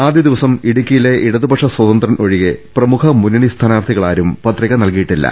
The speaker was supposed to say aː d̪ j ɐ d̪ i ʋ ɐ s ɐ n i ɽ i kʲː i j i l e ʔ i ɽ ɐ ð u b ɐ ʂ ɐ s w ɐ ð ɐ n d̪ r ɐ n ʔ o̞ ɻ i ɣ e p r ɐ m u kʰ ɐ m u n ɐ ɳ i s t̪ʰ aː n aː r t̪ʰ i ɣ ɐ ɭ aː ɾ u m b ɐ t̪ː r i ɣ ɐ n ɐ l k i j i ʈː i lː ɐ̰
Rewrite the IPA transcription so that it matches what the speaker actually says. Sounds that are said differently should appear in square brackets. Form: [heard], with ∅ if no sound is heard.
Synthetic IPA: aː d̪ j ɐ d̪ i ʋ ɐ s ɐ [m] i ɽ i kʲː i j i l e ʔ i ɽ ɐ ð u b ɐ ʂ ɐ s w ɐ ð ɐ n d̪ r ɐ n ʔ o̞ ɻ i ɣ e p r ɐ m u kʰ ɐ m u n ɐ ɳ i s t̪ʰ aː n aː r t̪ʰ i ɣ ɐ ɭ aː ɾ u m [p] ɐ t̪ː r i ɣ ɐ n ɐ l k i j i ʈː i lː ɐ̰